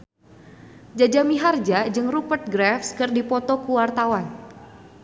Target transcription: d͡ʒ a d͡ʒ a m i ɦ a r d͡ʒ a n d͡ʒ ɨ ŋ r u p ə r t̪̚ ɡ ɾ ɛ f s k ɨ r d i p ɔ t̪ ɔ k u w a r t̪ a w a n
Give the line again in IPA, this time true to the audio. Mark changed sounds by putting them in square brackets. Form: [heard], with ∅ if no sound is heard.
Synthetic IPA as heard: d͡ʒ a d͡ʒ a m i ɦ a r d͡ʒ a [∅] d͡ʒ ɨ ŋ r u p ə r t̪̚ ɡ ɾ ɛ f s k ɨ r d i p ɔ t̪ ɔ k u w a r t̪ a w a n